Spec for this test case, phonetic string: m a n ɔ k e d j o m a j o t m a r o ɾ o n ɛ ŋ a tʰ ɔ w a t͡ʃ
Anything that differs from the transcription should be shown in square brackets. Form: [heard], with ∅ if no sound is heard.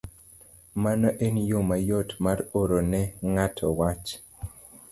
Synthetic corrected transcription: m a n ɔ [ʔ] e [n] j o m a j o t m a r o ɾ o n ɛ ŋ a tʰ ɔ w a t͡ʃ